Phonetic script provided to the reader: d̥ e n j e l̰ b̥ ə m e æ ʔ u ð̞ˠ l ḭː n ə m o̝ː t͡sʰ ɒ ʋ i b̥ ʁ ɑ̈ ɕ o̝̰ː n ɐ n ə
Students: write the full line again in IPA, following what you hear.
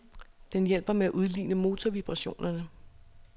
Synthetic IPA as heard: d̥ e n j e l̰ b̥ ɐ m e æ ʔ u ð̞ˠ l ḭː n ə m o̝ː t͡sʰ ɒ ʋ i b̥ ʁ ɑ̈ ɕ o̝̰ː n ɐ n ə